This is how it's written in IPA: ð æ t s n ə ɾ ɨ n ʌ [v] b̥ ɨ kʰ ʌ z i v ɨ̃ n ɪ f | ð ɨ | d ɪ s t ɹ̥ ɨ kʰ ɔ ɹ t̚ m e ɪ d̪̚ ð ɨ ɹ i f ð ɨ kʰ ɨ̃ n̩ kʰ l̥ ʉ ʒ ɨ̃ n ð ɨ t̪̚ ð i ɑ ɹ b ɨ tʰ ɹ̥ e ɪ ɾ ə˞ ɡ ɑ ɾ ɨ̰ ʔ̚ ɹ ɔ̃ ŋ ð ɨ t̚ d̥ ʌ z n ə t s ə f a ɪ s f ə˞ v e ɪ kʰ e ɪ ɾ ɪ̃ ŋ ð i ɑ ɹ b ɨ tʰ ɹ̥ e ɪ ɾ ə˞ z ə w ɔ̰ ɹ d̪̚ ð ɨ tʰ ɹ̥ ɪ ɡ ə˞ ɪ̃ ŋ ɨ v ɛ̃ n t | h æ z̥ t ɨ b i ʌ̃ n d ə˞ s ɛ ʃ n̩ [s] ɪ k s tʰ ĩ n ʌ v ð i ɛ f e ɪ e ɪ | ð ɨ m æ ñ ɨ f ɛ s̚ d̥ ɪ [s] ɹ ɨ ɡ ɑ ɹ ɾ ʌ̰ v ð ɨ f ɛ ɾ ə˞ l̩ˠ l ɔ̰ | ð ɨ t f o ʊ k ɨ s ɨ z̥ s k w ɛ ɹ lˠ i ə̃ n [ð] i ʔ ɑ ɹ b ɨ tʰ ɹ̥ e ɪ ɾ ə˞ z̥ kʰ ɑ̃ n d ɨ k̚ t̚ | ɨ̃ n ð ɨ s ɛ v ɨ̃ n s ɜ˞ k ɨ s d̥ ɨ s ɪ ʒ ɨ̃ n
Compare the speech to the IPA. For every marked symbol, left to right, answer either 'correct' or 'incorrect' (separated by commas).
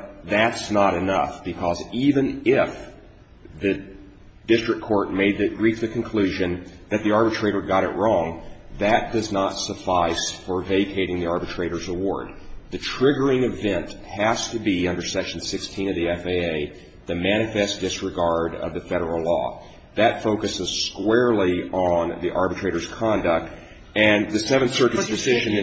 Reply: incorrect, correct, correct, correct